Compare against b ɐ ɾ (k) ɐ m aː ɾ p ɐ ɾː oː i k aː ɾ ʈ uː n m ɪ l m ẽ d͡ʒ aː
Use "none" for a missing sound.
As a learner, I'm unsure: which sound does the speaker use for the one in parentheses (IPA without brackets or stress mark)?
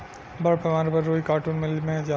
p